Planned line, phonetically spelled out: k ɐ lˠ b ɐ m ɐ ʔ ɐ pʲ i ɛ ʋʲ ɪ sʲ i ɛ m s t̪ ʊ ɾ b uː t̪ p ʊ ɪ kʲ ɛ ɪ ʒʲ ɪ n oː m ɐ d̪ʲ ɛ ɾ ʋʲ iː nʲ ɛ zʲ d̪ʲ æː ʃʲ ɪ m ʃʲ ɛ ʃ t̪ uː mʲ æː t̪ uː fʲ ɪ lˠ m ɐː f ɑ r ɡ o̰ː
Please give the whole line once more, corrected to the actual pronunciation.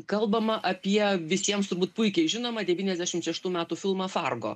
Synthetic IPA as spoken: k ɐ lˠ b ɐ m ɐ ʔ ɐ pʲ i ɛ ʋʲ ɪ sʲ i ɛ m s t̪ ʊ ɾ b uː t̪ p ʊ ɪ kʲ ɛ ɪ ʒʲ ɪ n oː m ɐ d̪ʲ ɛ ʋʲ iː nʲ ɛ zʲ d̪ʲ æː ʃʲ ɪ m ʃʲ ɛ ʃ t̪ uː mʲ æː t̪ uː fʲ ɪ lˠ m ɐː f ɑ r ɡ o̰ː